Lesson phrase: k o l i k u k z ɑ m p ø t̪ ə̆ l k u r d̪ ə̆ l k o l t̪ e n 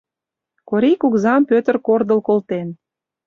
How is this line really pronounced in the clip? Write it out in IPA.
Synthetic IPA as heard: k o ɾ i k u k z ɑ m p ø t̪ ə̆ r k o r d̪ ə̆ l k o l t̪ e n